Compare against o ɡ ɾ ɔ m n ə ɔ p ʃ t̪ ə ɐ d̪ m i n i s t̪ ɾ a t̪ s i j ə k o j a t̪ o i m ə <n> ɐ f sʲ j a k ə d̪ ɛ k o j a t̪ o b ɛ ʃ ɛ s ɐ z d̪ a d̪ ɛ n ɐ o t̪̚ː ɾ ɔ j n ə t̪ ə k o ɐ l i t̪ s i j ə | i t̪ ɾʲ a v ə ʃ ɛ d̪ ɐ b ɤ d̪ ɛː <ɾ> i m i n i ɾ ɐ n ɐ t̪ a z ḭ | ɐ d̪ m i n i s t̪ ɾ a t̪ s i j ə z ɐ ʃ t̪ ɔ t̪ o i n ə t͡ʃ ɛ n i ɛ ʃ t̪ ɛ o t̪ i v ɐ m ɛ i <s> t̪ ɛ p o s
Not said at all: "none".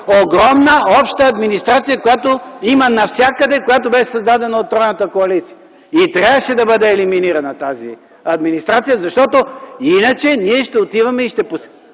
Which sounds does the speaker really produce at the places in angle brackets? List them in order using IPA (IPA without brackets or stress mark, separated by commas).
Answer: n, l, ʃ